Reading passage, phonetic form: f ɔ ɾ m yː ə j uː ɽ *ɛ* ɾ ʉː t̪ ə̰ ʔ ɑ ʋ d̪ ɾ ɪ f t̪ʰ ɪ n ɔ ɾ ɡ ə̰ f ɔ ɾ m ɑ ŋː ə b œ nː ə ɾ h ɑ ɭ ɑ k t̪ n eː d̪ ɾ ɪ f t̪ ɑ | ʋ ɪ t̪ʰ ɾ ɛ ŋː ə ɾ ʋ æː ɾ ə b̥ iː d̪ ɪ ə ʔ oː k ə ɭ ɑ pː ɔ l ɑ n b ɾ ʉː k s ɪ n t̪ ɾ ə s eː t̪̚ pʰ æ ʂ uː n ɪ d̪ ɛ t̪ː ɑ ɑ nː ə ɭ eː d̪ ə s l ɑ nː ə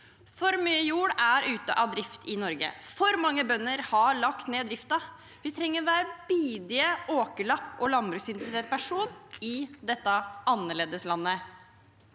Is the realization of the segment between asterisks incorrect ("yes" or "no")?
yes